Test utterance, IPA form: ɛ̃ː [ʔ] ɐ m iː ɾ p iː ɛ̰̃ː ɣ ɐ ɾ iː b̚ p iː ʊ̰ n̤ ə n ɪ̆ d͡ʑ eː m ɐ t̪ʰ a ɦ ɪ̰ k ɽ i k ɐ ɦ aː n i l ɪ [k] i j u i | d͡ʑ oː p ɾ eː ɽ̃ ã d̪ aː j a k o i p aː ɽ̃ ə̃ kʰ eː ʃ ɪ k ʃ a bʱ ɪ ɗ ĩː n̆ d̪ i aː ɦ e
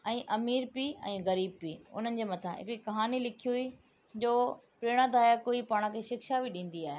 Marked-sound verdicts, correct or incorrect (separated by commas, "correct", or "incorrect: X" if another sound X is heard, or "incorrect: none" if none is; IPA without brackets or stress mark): correct, incorrect: kʰ